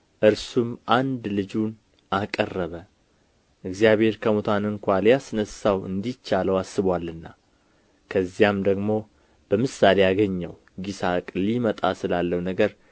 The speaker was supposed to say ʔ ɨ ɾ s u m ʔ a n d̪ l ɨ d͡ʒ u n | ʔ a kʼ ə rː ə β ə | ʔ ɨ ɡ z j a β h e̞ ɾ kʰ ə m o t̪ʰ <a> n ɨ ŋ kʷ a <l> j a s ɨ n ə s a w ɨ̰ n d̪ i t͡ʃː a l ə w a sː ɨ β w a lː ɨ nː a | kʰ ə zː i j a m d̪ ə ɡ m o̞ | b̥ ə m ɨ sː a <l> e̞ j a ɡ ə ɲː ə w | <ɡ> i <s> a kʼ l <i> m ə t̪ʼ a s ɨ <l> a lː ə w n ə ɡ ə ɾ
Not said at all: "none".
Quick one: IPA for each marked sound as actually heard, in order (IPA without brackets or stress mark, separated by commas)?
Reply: a, l, l, ɡ, s, i, l